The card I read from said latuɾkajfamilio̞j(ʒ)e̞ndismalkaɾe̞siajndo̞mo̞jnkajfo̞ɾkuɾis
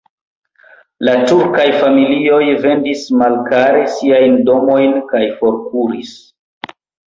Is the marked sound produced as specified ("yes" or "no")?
no